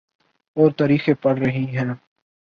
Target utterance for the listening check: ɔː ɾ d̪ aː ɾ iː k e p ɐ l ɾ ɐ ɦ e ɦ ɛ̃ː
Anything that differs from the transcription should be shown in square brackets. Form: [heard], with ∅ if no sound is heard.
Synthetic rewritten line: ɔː ɾ [t̪] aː ɾ iː [x] e p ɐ [ɽ] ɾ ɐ ɦ [i] ɦ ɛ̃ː